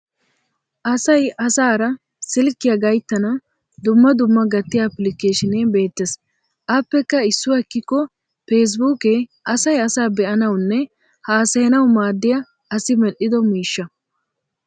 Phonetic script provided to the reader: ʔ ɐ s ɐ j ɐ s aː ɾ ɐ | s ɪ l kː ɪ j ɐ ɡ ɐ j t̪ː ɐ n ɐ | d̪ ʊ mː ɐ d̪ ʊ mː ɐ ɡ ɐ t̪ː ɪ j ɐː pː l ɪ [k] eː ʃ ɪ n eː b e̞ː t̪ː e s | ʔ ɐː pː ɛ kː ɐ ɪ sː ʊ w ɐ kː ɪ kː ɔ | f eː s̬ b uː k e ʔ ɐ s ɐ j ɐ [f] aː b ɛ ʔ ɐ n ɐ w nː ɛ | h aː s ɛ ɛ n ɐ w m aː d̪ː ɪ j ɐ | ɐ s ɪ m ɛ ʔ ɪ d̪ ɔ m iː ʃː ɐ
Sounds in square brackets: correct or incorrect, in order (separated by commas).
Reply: correct, incorrect